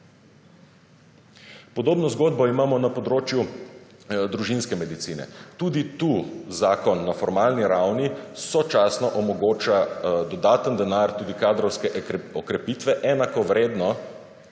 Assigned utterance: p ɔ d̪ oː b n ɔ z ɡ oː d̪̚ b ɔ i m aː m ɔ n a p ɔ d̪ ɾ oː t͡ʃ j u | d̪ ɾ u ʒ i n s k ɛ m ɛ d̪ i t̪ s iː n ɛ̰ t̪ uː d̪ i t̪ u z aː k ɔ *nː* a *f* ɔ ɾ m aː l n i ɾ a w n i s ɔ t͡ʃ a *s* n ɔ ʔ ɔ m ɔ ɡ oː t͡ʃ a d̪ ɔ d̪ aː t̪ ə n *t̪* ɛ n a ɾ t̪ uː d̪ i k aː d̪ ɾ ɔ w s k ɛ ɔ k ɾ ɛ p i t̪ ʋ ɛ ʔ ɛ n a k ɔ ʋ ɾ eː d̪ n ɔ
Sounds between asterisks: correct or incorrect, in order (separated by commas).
correct, correct, correct, incorrect